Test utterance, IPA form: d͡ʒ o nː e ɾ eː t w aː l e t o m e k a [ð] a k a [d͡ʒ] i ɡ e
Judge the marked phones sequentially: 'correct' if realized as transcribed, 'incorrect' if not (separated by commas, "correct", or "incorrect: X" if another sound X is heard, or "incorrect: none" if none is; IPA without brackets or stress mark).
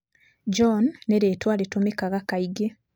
incorrect: ɣ, incorrect: none